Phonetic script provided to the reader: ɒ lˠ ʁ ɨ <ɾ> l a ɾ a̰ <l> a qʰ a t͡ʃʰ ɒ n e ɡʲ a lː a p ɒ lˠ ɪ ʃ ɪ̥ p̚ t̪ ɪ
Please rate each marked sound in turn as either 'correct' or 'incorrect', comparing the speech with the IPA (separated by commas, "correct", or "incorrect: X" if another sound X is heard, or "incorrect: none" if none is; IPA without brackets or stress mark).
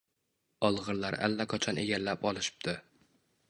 correct, incorrect: lː